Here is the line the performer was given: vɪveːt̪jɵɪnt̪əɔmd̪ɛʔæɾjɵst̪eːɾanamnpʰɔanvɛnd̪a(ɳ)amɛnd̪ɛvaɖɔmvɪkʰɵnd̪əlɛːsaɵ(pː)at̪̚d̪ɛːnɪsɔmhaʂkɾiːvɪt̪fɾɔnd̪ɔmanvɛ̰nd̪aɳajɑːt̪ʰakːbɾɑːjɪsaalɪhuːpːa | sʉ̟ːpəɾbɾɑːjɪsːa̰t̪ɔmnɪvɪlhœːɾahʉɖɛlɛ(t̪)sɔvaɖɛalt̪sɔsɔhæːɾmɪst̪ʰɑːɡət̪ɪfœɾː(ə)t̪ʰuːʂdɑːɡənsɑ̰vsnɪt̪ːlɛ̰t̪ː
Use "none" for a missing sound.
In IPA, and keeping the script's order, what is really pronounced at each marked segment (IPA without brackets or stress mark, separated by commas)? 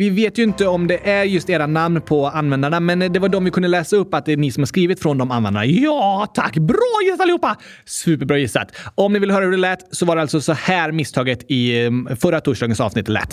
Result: ɳ, pː, t̪, a